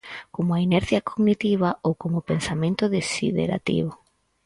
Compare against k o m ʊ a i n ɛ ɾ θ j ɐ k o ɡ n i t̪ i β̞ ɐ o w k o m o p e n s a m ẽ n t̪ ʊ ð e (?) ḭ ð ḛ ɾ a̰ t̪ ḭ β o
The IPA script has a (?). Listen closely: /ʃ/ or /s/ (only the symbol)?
s